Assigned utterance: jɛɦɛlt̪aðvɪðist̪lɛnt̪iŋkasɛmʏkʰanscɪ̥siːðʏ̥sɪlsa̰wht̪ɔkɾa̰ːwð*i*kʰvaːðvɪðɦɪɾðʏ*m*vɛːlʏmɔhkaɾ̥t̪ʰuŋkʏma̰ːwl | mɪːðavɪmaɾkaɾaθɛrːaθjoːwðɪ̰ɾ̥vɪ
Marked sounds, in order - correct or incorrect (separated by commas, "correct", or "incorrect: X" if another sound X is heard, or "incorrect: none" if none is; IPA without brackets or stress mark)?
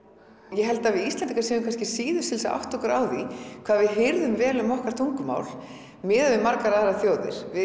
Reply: correct, correct